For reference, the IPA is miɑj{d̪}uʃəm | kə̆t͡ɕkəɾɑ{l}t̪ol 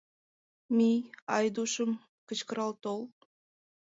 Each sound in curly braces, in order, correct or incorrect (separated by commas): correct, correct